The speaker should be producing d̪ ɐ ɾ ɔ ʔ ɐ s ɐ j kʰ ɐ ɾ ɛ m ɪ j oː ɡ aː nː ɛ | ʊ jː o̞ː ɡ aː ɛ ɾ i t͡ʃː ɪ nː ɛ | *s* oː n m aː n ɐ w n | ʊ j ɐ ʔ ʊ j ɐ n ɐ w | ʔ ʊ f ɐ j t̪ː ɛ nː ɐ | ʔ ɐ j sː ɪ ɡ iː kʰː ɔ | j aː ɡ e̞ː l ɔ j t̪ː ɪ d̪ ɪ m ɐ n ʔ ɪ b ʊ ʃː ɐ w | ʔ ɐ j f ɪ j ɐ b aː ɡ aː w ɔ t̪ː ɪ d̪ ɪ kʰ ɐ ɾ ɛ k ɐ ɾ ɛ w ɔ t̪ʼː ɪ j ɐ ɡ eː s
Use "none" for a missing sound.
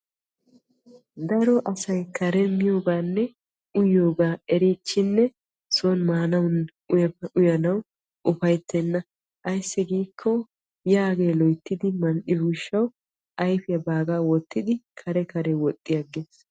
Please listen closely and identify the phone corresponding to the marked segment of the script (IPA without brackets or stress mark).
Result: s